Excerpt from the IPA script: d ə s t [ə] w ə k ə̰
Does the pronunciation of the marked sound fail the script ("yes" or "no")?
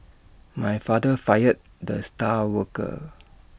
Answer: yes